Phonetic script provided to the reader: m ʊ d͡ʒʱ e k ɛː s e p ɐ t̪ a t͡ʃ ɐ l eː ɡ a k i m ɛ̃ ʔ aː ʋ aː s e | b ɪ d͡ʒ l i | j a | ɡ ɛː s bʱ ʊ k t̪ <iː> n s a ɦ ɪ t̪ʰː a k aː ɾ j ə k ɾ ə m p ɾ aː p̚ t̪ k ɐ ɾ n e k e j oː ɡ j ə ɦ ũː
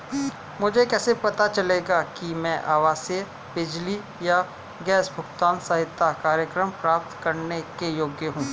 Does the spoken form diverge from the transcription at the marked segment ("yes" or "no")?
yes